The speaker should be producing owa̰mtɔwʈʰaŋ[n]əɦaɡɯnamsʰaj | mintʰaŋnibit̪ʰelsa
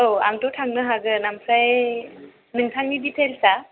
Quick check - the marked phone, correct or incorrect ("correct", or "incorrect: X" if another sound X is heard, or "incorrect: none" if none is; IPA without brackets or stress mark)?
correct